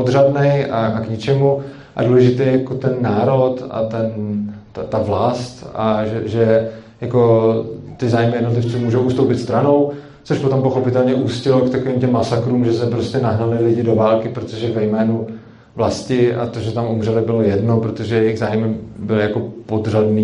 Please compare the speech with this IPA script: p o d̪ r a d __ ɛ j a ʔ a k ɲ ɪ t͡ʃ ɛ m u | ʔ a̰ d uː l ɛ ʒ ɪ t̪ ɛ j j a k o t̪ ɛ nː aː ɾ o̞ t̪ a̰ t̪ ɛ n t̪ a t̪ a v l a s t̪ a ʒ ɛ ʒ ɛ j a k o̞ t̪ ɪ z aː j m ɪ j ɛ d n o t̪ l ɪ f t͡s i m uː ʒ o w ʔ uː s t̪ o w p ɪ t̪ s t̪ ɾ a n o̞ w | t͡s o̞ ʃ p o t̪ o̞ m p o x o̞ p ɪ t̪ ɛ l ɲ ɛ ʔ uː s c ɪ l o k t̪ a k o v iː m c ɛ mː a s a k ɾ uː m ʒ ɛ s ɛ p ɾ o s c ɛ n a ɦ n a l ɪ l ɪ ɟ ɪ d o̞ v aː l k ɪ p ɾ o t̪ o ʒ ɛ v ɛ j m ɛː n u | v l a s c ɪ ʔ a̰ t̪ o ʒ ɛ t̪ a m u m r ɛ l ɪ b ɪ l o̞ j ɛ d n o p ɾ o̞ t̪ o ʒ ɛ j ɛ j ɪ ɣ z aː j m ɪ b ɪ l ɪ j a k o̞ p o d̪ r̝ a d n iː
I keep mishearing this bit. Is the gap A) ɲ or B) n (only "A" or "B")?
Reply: B